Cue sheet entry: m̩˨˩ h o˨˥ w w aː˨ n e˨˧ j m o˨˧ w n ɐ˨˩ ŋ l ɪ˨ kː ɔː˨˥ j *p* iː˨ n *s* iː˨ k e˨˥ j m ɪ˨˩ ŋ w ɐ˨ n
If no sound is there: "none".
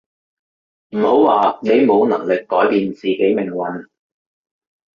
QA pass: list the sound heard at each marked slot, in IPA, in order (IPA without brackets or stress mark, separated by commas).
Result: p, t͡s